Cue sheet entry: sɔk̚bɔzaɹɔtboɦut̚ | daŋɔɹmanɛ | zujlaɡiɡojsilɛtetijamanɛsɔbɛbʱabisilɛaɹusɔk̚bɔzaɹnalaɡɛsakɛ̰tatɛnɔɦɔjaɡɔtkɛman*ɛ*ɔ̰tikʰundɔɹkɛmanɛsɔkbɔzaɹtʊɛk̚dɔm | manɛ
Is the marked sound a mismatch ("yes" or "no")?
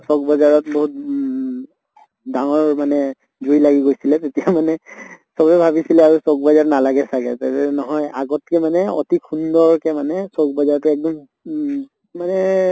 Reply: no